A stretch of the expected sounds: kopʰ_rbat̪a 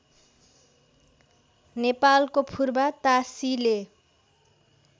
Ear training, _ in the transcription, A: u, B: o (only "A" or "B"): A